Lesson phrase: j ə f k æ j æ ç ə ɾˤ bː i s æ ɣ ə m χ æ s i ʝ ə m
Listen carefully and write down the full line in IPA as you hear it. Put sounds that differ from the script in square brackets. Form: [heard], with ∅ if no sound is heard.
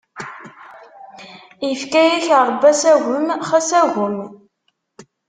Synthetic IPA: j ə f k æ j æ ç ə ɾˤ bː [æ] s æ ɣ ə m χ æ s [æ] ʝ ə m

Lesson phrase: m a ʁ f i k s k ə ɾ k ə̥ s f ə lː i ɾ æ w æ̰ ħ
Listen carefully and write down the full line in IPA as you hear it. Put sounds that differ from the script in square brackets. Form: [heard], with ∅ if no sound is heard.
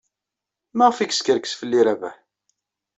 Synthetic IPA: m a ʁ f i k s k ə ɾ k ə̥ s f ə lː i ɾ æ [v] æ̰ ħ

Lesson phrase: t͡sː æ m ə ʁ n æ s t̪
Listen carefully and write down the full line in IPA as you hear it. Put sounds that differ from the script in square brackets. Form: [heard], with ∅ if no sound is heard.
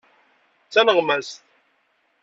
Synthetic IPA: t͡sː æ [n] ə ʁ [m] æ s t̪

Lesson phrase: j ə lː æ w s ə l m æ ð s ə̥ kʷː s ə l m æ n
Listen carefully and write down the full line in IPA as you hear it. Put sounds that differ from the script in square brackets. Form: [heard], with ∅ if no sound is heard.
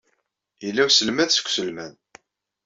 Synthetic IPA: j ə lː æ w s ə l m æ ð s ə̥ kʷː s ə l m æ n

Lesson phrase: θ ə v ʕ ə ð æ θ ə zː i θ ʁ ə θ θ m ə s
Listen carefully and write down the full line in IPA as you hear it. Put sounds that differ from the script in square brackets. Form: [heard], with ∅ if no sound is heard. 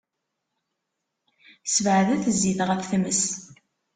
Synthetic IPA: [s] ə v ʕ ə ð æ θ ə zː i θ ʁ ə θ θ m ə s

